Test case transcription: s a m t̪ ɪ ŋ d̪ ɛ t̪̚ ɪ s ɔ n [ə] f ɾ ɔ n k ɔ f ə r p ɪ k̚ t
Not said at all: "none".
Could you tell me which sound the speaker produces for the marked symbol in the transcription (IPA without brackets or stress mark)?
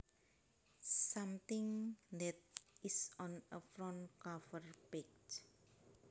ə